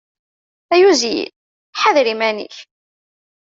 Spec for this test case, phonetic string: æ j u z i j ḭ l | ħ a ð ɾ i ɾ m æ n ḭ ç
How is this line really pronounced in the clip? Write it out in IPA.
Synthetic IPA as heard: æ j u z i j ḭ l | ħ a ð ɾ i m æ n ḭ ç